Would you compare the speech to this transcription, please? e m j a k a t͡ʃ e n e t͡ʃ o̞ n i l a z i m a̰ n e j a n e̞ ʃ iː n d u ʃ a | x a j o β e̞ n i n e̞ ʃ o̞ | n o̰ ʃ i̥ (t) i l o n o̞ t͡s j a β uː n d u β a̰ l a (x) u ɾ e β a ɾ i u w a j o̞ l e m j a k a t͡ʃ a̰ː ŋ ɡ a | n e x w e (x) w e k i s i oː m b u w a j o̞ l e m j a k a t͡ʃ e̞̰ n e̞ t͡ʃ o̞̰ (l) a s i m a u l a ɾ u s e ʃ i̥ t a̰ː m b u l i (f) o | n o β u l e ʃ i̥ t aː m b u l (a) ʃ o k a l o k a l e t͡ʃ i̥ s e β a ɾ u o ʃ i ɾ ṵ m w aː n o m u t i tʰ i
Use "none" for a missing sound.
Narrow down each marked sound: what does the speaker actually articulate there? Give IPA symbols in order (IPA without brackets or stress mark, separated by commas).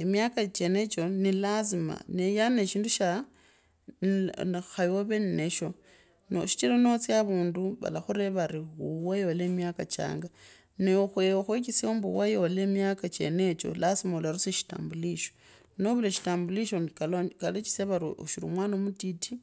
t͡ʃ, x, x, l, ʃ, i